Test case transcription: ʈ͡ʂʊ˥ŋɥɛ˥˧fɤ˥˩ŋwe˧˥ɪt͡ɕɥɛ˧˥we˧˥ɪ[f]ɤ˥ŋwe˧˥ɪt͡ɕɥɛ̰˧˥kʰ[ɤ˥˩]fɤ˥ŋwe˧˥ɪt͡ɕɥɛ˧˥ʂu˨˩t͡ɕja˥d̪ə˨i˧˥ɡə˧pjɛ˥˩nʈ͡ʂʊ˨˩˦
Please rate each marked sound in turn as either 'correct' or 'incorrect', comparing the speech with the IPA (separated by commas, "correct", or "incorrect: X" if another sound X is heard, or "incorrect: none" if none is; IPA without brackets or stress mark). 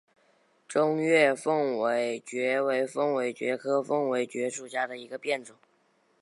correct, incorrect: ɤ˥